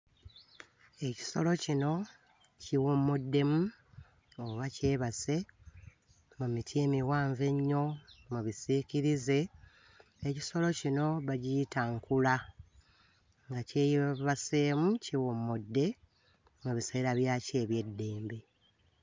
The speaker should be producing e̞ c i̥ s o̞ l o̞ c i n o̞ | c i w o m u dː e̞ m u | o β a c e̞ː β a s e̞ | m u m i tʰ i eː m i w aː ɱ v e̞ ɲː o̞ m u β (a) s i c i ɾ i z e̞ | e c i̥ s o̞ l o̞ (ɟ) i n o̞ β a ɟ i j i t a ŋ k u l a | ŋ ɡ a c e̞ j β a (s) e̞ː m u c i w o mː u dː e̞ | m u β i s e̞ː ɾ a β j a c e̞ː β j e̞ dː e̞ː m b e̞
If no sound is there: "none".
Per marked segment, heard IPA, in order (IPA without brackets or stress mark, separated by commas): i, c, s